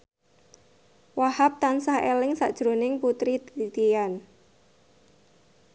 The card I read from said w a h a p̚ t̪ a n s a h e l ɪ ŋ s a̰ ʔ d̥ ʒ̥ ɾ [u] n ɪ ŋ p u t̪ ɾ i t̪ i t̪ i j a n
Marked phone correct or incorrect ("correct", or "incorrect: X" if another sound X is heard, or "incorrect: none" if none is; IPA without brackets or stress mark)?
incorrect: o